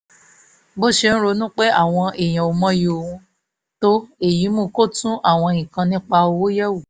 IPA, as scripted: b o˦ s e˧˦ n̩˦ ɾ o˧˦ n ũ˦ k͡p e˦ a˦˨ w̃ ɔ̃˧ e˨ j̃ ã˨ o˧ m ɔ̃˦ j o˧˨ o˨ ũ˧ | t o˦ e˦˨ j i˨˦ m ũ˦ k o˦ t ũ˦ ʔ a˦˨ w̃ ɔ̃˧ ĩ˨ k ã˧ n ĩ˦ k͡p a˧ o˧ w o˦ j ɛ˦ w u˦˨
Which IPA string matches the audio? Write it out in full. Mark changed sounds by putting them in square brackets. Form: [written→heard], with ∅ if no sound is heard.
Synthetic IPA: b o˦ [s→ʃ] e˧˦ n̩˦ ɾ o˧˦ n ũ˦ k͡p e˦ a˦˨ w̃ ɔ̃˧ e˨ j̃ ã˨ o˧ m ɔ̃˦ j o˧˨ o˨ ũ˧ | t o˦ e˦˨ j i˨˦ m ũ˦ k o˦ t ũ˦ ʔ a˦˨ w̃ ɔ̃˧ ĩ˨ k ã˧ n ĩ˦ k͡p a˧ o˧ w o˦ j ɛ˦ w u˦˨